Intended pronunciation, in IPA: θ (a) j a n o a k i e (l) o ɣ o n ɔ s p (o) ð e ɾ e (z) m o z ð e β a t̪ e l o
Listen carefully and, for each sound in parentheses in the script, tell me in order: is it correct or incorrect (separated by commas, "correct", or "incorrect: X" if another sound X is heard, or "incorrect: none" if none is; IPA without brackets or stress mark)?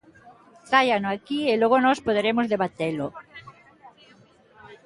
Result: correct, correct, correct, incorrect: none